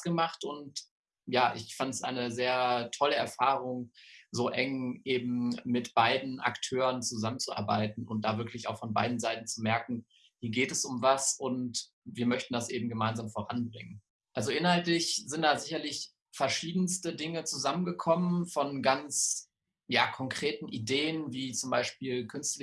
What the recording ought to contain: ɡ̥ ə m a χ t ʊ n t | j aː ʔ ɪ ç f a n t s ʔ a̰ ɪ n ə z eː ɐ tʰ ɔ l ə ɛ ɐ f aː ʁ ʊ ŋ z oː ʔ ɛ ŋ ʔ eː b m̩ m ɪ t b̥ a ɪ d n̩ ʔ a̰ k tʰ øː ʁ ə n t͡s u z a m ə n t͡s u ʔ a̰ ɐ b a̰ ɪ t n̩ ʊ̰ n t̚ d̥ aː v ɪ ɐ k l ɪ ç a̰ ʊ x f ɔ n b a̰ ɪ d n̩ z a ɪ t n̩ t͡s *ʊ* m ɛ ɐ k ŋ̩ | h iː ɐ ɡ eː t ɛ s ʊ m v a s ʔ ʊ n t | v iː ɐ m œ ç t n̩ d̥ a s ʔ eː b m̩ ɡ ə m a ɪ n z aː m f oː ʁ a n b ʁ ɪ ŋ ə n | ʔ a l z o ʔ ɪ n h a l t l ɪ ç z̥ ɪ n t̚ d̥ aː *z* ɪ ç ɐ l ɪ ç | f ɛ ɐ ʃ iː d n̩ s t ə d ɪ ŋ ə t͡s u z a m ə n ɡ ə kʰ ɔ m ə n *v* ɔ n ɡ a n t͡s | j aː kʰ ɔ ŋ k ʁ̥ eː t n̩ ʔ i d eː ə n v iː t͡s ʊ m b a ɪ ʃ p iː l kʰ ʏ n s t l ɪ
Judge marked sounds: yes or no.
no, yes, no

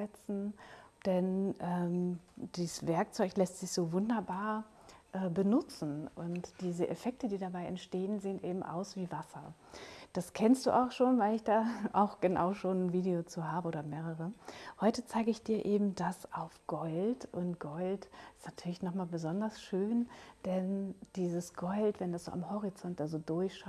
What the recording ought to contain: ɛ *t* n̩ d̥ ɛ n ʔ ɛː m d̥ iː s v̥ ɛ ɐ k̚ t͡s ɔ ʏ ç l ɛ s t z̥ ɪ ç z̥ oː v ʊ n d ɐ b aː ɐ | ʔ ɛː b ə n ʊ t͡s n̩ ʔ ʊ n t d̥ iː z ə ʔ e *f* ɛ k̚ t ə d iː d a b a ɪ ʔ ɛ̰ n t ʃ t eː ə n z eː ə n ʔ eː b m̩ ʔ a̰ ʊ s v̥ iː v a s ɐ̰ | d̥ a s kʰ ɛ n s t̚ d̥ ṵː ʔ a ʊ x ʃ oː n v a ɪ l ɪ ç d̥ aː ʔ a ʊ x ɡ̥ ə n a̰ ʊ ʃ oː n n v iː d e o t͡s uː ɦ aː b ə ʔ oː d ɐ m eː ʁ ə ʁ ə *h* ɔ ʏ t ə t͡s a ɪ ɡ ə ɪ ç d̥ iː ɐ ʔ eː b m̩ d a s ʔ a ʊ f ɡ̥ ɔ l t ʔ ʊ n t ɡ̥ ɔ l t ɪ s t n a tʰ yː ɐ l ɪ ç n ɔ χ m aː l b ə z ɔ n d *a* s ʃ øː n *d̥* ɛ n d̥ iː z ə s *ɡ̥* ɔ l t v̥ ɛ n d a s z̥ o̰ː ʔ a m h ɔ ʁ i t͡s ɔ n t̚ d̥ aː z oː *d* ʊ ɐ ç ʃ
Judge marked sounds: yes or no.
no, yes, yes, no, yes, yes, yes

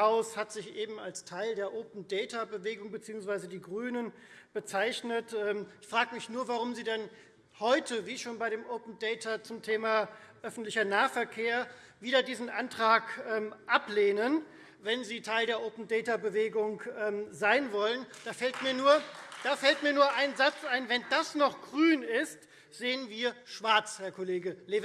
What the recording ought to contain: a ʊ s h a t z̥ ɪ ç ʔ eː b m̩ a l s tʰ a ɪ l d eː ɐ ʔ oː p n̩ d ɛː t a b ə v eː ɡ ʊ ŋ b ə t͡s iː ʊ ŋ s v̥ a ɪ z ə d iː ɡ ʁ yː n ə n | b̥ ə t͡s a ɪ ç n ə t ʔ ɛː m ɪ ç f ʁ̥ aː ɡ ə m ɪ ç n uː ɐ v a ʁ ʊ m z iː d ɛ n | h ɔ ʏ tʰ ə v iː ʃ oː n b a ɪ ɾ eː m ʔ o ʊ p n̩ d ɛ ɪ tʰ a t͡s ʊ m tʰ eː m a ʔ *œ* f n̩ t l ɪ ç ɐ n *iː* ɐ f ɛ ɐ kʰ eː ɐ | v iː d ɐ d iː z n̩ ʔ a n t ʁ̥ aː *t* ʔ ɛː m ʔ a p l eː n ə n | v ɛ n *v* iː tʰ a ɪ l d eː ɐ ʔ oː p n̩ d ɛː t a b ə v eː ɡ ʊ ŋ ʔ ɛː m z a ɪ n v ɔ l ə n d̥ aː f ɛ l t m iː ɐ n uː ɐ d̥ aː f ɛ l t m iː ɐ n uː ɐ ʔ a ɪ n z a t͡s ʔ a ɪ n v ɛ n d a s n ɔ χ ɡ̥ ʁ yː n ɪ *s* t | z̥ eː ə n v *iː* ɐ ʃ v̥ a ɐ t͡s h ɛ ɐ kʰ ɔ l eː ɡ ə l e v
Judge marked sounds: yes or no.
yes, no, no, no, yes, yes

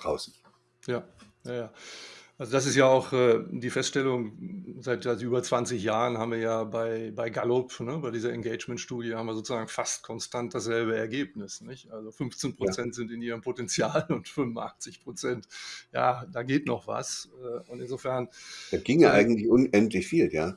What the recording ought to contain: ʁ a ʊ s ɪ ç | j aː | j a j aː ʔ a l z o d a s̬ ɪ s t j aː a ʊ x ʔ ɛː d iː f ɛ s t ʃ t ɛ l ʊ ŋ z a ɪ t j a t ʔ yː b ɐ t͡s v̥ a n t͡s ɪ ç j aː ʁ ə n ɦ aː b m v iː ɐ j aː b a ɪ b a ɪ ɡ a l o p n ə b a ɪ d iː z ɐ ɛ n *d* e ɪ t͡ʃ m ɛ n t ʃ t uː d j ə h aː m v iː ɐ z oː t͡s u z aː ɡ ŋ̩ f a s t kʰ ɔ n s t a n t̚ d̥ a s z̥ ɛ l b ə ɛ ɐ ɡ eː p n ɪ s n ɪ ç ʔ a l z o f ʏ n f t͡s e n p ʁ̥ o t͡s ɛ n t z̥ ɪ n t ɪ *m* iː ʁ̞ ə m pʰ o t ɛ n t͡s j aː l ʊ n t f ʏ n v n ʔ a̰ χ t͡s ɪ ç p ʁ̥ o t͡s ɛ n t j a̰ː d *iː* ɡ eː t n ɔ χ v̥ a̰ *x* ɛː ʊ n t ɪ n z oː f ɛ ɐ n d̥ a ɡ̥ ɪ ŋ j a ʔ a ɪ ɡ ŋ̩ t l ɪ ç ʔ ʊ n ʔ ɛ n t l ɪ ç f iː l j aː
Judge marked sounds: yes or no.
no, no, no, no

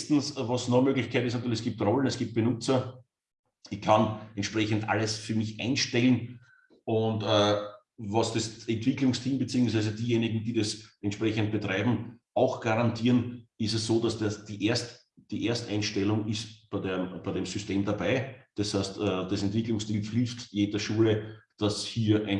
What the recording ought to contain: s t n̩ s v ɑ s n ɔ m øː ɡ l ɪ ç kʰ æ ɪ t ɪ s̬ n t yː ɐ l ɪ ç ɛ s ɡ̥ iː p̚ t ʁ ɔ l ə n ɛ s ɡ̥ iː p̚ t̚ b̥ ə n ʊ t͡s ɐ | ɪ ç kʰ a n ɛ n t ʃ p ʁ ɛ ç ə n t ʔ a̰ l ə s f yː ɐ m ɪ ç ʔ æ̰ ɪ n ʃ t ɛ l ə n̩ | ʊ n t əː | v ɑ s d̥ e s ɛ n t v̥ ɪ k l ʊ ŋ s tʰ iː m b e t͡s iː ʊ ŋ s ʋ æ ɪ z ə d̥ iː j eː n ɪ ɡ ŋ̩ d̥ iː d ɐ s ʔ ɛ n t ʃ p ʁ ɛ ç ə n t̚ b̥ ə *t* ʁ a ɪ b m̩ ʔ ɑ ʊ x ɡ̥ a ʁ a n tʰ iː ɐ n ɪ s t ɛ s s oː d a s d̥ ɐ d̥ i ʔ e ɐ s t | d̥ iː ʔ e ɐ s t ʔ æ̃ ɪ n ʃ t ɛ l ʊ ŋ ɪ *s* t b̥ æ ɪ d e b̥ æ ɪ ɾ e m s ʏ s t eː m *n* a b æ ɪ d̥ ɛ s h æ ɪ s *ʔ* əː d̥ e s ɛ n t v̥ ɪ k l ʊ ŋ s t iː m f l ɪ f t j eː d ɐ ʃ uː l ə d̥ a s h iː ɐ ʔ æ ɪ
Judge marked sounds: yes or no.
yes, yes, no, no

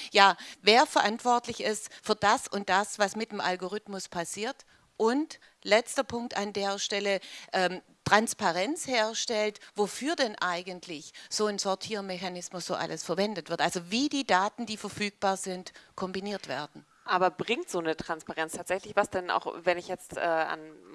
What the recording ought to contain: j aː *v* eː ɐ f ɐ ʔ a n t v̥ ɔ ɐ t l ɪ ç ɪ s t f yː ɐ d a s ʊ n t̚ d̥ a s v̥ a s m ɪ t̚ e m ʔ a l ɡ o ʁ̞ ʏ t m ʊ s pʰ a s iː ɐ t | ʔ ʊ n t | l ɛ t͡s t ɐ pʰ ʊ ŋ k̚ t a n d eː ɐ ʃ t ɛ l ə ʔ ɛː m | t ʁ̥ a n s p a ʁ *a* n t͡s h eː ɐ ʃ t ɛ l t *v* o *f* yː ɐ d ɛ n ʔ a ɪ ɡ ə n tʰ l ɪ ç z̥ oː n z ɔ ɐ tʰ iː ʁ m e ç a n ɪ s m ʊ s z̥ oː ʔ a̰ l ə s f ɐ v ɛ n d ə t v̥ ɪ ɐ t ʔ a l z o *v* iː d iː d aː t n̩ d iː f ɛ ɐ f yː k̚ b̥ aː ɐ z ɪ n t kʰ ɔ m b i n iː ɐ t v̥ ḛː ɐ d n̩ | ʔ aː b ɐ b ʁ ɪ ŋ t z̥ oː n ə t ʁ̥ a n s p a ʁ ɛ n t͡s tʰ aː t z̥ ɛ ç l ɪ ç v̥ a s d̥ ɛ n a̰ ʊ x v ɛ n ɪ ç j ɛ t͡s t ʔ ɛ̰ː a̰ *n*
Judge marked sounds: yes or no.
yes, no, yes, yes, yes, yes

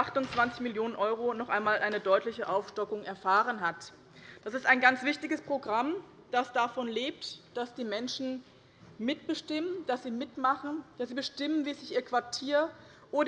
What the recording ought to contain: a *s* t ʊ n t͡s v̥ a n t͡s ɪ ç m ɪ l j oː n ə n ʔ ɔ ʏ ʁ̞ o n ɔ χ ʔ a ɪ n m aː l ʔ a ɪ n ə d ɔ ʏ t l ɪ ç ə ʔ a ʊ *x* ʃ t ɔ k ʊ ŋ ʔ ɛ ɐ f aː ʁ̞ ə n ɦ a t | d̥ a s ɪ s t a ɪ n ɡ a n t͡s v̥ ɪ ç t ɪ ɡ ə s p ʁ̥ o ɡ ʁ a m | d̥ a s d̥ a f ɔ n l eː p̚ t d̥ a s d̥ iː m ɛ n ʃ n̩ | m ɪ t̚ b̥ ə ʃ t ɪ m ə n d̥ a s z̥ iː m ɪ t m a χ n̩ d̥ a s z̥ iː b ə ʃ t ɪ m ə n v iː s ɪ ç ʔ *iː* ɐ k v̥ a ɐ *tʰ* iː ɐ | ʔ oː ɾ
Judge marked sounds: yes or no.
no, no, yes, yes

